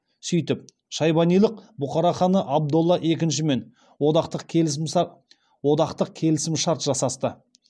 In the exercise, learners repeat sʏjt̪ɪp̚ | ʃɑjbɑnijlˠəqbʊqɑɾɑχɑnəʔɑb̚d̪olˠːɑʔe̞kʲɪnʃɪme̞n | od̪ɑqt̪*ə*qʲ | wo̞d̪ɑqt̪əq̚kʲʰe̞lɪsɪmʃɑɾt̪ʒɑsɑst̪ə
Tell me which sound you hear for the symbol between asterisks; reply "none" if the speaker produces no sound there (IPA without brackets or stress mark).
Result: ə